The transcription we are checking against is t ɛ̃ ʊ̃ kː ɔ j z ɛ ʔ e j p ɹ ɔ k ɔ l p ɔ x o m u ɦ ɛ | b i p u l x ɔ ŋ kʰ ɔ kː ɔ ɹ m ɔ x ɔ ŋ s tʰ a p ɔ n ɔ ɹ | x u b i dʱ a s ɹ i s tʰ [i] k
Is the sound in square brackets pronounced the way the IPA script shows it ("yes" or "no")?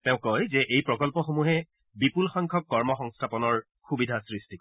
yes